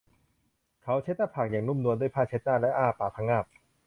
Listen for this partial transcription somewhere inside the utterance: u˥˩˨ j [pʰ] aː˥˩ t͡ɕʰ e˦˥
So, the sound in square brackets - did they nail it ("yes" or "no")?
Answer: yes